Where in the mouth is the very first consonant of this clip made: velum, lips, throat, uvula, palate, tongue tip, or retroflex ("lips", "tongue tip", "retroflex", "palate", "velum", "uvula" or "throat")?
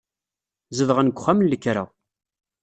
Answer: tongue tip